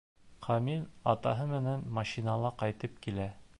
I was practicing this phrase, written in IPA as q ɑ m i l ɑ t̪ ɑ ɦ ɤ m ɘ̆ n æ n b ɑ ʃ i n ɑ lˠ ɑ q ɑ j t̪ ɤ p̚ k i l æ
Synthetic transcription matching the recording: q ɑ m i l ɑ t̪ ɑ ɦ ɤ m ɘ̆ n æ n m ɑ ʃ i n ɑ lˠ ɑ q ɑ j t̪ ɤ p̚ k i l æ